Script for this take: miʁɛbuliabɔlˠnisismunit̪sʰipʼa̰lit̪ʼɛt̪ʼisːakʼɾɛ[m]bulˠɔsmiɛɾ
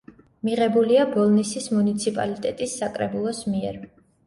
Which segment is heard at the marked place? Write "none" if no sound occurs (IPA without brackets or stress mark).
none